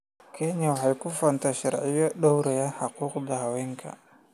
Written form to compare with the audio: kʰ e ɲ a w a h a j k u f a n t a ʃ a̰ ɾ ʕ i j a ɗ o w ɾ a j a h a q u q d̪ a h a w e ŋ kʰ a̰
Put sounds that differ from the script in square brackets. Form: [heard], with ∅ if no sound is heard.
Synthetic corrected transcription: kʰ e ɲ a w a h a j k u f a n t a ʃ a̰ ɾ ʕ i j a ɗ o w ɾ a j a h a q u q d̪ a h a w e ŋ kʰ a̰